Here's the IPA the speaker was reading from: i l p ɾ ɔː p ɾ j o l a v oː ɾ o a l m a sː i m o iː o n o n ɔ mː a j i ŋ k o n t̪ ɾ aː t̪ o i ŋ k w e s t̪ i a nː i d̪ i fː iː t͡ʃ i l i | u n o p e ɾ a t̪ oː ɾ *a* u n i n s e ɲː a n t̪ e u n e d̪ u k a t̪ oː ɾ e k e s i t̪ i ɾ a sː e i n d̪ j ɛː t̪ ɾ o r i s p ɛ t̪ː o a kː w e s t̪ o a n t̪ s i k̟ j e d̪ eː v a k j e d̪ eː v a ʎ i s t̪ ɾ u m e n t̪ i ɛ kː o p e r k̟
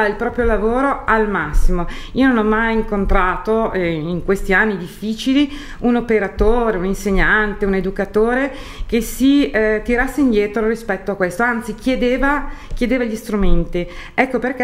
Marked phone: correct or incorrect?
incorrect